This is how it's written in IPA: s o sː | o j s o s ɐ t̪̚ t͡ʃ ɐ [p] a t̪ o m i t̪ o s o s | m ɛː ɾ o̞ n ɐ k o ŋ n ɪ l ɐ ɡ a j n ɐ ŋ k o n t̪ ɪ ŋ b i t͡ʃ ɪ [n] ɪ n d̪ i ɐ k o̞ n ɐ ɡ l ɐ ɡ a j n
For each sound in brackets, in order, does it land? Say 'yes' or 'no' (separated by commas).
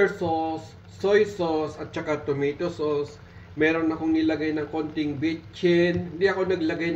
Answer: no, yes